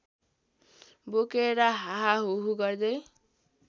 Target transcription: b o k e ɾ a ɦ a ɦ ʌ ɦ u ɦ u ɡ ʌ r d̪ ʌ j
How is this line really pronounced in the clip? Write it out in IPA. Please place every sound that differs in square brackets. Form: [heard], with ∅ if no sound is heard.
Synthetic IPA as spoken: b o k e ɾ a ɦ a ɦ [a] ɦ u ɦ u ɡ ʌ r d̪ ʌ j